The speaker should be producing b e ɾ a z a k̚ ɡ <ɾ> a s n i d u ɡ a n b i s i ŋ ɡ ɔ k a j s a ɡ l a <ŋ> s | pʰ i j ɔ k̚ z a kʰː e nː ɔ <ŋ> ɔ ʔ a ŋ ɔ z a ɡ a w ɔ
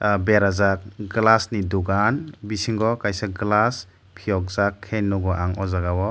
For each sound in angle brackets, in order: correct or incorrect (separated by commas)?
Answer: incorrect, incorrect, incorrect